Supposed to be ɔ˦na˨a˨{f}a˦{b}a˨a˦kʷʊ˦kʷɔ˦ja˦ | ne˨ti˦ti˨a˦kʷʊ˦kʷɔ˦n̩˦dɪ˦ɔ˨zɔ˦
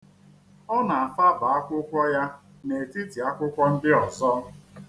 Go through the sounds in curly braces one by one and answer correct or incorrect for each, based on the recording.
correct, correct

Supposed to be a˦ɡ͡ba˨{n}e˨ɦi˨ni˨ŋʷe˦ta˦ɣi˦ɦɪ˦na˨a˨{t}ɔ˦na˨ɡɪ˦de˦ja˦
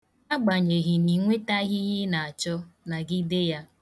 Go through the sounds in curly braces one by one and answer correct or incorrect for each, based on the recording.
incorrect: ɲ, incorrect: t͡ʃ

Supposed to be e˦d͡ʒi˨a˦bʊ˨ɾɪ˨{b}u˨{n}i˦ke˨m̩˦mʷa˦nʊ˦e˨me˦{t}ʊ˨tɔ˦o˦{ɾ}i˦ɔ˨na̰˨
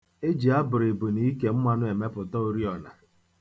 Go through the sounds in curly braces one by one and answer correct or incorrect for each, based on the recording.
correct, correct, incorrect: p, correct

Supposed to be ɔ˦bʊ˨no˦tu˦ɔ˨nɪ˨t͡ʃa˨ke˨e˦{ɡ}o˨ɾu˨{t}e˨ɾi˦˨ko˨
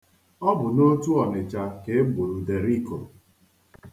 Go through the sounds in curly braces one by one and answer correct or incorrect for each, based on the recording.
incorrect: ɡ͡b, incorrect: d

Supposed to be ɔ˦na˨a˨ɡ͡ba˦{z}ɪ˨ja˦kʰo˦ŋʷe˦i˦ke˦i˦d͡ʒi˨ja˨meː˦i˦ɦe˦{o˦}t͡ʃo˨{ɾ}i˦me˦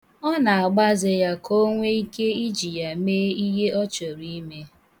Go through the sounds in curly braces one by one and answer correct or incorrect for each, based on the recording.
correct, incorrect: ɔ˦, correct

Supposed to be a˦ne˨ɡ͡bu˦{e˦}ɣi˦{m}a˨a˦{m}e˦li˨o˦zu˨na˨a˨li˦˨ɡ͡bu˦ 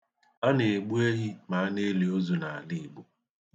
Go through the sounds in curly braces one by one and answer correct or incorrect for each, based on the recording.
correct, correct, incorrect: n

